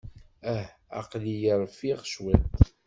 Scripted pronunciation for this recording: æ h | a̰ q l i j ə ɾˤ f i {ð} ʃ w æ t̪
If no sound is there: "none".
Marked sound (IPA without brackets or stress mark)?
ʁ